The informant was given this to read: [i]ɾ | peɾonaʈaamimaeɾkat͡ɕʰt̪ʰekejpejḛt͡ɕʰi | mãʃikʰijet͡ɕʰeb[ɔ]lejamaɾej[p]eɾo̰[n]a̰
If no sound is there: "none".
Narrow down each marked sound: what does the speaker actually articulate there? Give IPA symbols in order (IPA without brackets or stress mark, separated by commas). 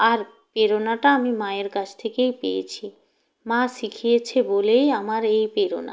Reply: a, o, p, n